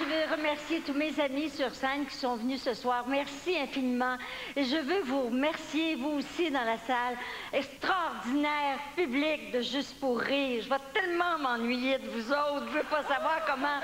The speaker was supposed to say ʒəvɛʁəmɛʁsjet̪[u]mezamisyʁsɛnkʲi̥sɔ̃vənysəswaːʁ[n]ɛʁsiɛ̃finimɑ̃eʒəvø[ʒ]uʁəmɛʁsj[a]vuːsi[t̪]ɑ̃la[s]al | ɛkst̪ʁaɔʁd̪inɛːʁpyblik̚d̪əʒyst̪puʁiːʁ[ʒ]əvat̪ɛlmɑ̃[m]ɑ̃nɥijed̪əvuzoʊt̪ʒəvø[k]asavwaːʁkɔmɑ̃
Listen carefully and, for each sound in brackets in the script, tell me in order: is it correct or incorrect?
correct, incorrect: m, incorrect: v, incorrect: e, incorrect: d̪, correct, correct, correct, incorrect: p

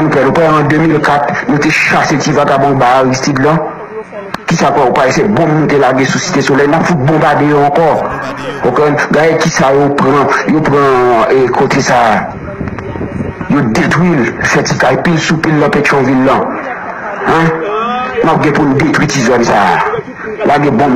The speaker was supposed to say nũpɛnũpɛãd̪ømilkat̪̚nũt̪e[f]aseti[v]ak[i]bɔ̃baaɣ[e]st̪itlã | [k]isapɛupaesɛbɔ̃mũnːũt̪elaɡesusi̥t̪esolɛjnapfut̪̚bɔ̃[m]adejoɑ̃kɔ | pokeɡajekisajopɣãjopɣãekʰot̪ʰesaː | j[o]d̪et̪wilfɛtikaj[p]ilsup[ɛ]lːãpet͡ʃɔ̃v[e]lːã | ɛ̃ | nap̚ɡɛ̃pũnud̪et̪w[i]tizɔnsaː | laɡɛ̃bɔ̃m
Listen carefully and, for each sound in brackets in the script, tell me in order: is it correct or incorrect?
incorrect: ʃ, correct, incorrect: a, incorrect: i, correct, incorrect: b, correct, correct, incorrect: i, incorrect: i, correct

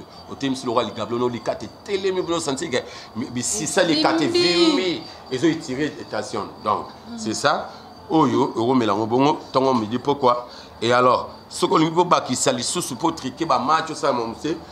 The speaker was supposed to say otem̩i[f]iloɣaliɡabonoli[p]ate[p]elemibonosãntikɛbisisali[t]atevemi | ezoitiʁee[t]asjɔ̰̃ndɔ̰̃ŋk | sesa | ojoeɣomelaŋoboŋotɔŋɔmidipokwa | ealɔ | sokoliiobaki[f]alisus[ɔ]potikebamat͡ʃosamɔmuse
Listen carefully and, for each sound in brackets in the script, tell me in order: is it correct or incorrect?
incorrect: s, incorrect: k, incorrect: t, incorrect: k, correct, incorrect: s, incorrect: u

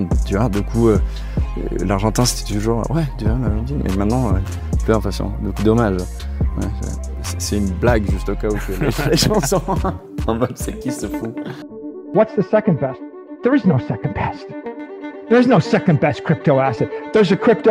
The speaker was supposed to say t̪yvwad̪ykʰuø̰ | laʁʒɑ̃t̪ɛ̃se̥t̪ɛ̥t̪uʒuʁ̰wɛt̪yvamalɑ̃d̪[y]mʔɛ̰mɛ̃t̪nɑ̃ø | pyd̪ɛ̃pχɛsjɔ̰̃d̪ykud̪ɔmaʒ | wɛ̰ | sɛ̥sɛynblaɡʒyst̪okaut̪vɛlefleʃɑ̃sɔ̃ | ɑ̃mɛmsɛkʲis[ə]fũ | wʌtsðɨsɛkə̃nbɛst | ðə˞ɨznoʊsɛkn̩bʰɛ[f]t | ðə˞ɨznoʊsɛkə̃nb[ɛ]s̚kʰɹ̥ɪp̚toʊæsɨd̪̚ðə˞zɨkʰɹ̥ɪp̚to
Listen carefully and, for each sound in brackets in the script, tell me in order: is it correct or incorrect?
incorrect: i, correct, incorrect: s, correct

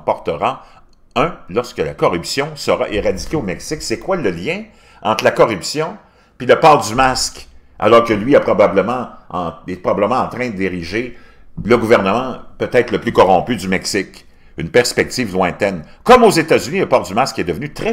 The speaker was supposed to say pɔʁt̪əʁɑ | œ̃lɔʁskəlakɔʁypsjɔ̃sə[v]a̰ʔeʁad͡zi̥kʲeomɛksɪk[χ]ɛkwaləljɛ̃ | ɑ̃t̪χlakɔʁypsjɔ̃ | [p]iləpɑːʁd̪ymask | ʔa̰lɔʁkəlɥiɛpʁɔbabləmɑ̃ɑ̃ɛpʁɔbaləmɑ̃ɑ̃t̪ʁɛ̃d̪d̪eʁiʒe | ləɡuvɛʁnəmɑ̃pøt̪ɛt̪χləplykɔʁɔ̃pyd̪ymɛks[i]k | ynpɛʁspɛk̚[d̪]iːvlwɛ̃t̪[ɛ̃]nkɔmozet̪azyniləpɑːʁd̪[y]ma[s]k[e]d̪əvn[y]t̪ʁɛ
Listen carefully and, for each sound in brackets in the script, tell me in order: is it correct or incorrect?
incorrect: ʁ, incorrect: s, correct, incorrect: ɪ, incorrect: t̪, incorrect: ɛ, correct, correct, incorrect: ɛ, correct

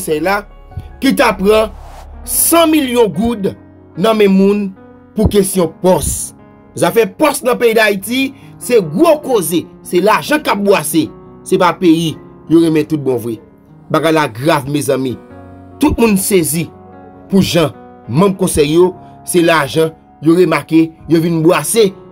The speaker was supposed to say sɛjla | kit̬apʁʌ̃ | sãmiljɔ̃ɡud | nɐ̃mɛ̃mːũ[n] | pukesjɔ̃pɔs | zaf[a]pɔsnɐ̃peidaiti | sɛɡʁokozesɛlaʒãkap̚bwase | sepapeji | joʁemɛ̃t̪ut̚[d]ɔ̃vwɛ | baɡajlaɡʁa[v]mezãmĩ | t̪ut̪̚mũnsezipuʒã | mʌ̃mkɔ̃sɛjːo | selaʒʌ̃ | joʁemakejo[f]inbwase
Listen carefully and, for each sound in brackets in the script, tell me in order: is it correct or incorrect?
correct, incorrect: ɛ, incorrect: b, correct, incorrect: v

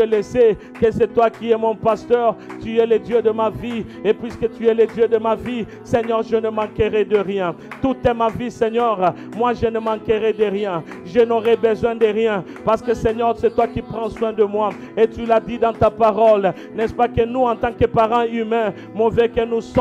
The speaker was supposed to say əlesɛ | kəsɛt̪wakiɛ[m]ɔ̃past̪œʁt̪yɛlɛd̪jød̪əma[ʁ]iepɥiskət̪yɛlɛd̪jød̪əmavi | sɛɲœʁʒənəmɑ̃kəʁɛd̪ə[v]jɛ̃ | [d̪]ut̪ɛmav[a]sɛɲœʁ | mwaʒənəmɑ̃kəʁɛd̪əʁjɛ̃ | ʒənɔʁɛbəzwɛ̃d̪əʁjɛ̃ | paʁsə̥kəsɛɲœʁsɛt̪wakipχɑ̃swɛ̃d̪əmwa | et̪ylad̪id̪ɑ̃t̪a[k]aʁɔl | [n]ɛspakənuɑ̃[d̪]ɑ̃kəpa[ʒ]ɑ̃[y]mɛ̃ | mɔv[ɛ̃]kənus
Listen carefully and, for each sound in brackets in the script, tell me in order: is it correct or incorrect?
correct, incorrect: v, incorrect: ʁ, incorrect: t̪, incorrect: i, incorrect: p, correct, incorrect: t̪, incorrect: ʁ, correct, incorrect: ɛ

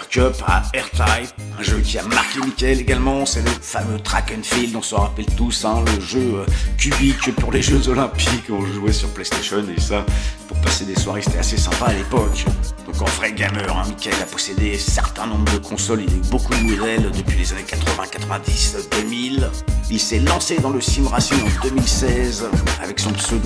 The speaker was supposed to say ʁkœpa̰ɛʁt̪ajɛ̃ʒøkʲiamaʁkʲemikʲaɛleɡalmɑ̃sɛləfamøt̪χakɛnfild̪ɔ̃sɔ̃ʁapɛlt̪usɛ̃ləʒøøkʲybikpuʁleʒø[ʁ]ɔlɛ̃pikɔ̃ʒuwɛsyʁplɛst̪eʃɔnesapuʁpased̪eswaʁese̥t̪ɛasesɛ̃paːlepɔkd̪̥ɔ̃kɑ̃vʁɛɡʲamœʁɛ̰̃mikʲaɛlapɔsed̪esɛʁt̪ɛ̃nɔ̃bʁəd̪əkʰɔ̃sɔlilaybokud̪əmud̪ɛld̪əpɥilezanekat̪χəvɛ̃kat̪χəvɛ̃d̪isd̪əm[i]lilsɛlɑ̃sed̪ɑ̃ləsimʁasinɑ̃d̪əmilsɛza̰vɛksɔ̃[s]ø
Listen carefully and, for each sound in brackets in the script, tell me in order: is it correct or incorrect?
incorrect: z, correct, correct

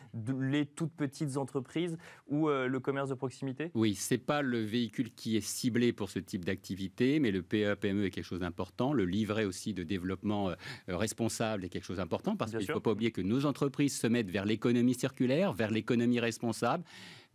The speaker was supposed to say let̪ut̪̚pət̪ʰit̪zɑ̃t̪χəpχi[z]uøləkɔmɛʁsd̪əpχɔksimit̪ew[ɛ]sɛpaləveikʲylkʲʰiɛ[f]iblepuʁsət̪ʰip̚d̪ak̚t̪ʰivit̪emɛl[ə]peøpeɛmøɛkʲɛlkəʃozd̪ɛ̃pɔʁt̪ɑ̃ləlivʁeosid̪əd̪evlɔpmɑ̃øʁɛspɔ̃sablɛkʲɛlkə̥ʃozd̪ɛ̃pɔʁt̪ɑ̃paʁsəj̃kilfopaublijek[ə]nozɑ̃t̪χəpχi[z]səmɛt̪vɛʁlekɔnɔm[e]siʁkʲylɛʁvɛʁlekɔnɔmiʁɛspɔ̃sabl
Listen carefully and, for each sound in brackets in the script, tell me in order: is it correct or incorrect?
correct, incorrect: i, incorrect: s, correct, correct, correct, incorrect: i

